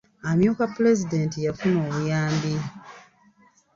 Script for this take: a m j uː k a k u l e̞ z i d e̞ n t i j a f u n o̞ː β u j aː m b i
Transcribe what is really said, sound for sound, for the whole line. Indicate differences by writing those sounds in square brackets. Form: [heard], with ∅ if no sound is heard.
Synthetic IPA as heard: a m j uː k a [p] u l e̞ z i d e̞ n t i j a f u n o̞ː β u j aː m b i